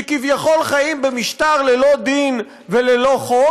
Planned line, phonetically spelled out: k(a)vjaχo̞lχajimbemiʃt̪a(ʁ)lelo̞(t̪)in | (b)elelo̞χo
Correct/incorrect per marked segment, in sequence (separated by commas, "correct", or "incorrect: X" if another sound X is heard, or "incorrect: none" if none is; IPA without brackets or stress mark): incorrect: i, correct, incorrect: d̪, incorrect: v